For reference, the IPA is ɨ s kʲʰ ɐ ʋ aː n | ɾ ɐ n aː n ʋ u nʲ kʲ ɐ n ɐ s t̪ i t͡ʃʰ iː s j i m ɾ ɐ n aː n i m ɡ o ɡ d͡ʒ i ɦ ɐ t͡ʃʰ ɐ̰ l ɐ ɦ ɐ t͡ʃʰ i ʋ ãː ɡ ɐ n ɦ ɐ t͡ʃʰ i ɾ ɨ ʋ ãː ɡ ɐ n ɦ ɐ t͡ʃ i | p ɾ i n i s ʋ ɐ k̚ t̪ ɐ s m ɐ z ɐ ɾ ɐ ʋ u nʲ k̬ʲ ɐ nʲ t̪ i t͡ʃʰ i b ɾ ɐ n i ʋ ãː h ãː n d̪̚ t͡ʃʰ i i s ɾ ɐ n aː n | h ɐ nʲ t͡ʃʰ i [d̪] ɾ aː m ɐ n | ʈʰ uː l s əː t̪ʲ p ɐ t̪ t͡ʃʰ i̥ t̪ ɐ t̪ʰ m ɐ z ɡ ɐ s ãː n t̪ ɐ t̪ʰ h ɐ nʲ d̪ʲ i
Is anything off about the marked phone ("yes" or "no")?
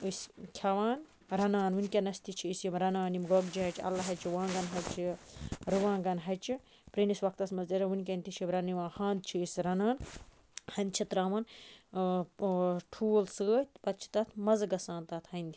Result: yes